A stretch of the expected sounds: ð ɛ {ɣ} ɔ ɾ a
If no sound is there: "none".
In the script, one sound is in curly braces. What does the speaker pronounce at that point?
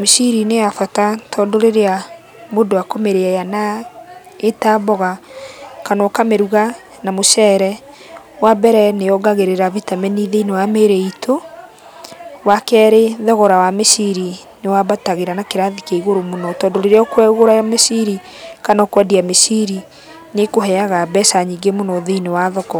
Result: ɣ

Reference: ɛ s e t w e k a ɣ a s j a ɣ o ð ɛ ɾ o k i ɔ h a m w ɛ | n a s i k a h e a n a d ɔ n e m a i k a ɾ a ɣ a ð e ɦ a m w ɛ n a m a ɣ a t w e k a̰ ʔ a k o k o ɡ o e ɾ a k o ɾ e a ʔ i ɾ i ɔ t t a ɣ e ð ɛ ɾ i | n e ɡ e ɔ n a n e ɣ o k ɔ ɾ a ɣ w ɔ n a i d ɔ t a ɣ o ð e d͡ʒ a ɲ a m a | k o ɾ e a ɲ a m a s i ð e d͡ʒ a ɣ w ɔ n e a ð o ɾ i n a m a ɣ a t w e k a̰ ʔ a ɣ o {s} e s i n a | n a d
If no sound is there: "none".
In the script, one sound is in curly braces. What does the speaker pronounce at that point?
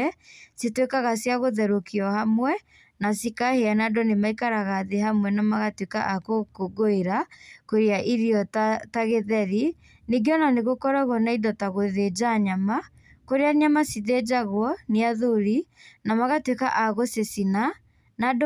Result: s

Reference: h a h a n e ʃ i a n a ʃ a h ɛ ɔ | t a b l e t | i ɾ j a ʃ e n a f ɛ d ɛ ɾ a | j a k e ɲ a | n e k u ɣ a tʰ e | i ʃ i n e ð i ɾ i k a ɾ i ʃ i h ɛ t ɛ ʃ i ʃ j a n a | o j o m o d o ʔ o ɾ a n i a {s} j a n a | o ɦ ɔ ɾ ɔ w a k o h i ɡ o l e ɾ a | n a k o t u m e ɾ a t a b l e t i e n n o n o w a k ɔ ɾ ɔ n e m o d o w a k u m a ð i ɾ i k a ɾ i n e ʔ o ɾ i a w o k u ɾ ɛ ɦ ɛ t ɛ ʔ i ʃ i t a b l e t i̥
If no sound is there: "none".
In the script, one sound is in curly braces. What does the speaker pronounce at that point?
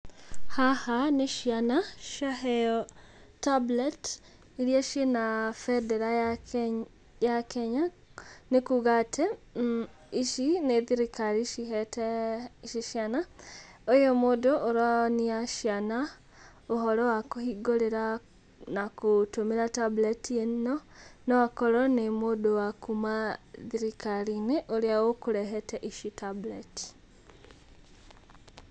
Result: ʃ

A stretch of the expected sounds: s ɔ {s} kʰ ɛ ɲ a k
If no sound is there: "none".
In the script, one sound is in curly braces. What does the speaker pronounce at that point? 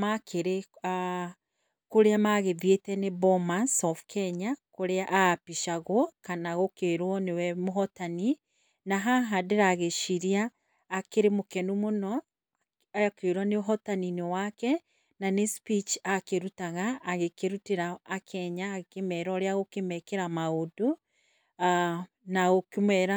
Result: f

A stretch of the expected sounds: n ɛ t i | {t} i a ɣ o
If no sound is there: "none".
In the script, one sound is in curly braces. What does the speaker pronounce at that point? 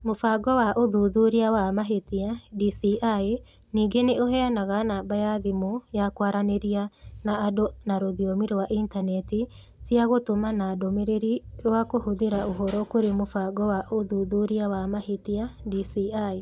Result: s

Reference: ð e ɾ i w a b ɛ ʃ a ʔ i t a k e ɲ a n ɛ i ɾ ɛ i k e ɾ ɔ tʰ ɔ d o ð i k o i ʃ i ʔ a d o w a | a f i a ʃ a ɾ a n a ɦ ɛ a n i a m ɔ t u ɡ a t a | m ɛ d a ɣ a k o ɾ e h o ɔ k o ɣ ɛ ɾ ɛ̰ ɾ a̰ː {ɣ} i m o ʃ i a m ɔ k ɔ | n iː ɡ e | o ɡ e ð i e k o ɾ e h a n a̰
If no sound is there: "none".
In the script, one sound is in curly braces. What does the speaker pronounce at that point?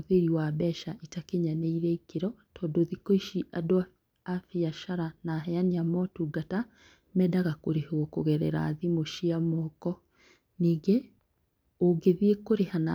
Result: ð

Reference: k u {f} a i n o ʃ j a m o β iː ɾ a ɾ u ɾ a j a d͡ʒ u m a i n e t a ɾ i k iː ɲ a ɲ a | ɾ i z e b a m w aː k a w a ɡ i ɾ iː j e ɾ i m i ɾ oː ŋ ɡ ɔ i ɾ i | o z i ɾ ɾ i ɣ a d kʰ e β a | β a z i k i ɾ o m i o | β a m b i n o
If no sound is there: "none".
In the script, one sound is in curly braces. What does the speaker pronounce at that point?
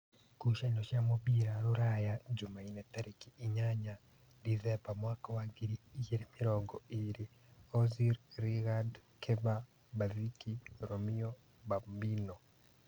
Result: ʃ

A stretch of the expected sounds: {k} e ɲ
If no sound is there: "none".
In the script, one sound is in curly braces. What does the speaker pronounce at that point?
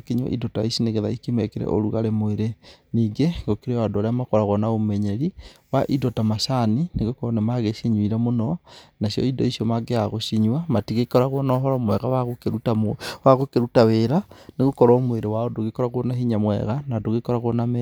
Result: k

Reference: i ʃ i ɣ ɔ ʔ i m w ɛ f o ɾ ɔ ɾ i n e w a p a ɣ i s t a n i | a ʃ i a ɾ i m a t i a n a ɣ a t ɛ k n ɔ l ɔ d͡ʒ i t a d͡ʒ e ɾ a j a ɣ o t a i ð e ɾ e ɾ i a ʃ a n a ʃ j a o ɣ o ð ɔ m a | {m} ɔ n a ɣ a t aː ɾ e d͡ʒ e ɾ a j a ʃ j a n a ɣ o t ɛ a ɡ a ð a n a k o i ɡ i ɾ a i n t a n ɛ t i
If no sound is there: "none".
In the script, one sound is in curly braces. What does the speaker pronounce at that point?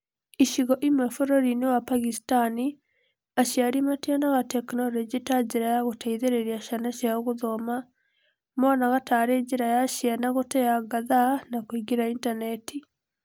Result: m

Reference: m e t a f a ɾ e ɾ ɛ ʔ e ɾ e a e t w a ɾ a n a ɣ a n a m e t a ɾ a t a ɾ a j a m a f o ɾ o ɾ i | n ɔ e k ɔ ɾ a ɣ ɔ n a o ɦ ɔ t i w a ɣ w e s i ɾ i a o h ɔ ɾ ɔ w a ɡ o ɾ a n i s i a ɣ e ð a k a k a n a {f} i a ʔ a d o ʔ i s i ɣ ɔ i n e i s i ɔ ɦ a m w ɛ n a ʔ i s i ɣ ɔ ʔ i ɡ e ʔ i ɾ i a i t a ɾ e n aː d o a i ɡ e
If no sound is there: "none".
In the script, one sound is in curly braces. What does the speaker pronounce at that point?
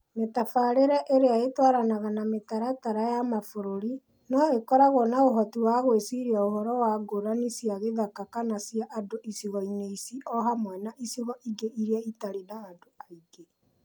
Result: s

